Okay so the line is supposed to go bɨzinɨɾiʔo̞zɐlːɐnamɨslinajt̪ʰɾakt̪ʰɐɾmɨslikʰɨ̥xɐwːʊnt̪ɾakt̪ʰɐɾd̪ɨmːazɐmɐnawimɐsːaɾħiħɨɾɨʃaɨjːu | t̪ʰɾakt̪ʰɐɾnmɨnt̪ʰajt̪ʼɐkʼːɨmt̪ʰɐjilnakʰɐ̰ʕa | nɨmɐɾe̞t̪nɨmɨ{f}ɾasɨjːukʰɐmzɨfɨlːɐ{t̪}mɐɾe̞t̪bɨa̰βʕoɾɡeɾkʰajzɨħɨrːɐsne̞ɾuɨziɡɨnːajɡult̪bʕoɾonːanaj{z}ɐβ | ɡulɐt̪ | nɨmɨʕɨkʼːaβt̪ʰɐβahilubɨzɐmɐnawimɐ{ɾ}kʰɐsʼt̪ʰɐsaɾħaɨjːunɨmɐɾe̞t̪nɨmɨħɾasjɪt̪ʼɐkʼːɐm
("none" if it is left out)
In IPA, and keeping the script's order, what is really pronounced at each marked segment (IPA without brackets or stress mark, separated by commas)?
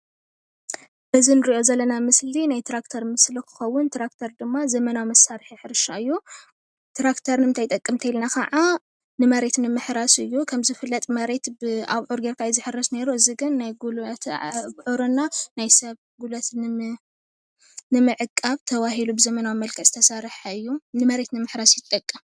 ħ, t̪ʼ, s, l